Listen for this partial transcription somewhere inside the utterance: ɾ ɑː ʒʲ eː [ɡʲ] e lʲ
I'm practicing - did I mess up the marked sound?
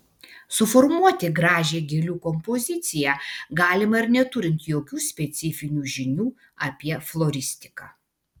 no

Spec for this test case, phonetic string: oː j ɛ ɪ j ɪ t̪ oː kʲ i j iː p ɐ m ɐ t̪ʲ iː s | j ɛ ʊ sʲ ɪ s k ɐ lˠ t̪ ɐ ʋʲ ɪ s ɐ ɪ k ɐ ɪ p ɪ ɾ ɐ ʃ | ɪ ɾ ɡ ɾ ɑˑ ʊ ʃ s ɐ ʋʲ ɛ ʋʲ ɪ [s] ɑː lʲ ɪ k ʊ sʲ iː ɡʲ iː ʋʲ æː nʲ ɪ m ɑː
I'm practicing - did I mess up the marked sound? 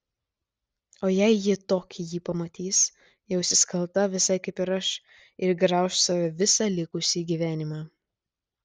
no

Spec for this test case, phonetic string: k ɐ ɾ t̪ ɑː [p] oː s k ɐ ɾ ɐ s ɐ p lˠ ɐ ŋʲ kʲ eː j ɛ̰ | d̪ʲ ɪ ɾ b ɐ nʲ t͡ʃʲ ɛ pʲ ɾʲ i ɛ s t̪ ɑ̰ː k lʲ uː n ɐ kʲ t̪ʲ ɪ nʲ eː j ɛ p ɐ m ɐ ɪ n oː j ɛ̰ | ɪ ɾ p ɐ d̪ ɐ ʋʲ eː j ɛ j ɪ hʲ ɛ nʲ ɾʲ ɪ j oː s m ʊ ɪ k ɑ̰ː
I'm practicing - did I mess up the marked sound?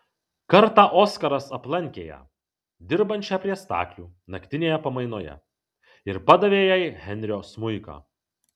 yes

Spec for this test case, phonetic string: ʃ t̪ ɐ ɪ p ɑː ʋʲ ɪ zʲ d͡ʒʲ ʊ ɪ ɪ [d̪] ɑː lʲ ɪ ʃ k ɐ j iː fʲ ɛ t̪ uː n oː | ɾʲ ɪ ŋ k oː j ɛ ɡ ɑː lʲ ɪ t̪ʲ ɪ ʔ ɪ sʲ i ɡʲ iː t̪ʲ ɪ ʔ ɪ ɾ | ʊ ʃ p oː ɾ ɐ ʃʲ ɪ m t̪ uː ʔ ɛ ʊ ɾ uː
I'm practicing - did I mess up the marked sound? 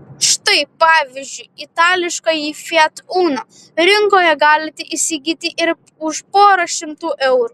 yes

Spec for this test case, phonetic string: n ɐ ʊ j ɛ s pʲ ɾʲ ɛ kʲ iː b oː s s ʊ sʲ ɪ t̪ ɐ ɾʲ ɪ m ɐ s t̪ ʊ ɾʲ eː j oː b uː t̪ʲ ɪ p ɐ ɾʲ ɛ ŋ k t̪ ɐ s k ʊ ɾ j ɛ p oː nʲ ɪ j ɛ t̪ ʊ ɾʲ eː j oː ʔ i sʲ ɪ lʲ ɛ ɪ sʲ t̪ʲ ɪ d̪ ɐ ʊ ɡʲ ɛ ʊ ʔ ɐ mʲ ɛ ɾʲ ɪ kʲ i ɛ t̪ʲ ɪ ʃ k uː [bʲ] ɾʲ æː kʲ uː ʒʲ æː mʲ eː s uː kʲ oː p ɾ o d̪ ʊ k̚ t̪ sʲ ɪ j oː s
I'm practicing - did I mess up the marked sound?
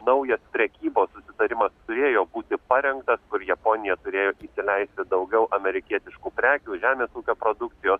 yes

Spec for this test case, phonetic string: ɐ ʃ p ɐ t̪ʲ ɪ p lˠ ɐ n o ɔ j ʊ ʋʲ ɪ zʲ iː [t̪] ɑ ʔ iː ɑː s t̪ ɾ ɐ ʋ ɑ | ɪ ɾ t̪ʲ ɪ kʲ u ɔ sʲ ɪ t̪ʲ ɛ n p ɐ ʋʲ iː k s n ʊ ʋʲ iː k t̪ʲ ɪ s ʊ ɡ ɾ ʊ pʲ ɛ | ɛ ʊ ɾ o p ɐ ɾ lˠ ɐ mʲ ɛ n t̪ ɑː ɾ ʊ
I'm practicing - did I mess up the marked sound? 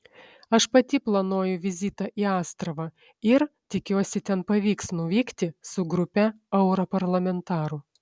no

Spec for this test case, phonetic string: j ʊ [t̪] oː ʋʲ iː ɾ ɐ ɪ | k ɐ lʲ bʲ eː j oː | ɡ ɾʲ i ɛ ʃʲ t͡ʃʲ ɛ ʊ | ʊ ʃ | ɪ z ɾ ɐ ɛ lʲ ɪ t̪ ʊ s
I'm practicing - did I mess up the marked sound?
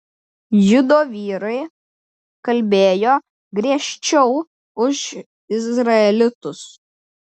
yes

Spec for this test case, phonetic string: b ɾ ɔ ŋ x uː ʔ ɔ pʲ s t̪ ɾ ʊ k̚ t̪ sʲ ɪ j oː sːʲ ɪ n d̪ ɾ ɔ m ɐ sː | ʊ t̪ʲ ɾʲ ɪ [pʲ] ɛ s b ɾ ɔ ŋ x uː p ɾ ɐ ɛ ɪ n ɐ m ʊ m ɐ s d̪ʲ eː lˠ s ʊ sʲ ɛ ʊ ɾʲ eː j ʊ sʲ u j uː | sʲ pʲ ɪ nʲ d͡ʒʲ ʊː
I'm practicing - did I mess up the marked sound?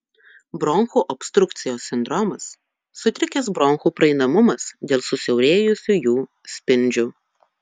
yes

